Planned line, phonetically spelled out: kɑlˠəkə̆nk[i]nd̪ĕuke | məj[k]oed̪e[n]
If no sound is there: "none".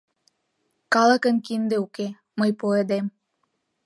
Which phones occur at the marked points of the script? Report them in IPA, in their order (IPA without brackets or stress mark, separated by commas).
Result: i, p, m